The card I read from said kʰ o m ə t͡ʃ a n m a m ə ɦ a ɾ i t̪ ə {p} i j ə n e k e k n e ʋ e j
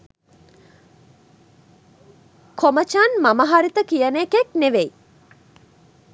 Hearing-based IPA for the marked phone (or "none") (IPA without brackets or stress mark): k